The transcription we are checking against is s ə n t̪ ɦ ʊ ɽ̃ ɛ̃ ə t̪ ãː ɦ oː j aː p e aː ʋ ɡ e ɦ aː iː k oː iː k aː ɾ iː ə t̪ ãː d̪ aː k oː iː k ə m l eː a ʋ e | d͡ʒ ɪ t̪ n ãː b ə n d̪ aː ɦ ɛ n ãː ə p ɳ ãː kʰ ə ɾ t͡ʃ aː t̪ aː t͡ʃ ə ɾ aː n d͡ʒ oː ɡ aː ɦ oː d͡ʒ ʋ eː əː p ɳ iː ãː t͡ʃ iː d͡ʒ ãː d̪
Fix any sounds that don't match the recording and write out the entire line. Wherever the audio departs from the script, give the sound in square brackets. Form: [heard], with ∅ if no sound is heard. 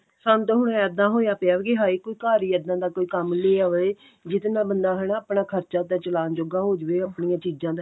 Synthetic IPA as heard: s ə n t̪ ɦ ʊ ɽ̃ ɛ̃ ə [d̪] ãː ɦ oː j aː p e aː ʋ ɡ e ɦ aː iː k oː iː k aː ɾ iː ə [d̪] ãː d̪ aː k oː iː k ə m l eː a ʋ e | d͡ʒ ɪ t̪ n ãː b ə n d̪ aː ɦ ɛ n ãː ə p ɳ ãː kʰ ə ɾ t͡ʃ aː t̪ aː t͡ʃ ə [l] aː n d͡ʒ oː ɡ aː ɦ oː d͡ʒ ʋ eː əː p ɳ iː ãː t͡ʃ iː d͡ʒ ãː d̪